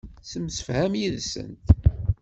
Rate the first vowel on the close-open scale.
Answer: mid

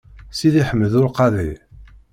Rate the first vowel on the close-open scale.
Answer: close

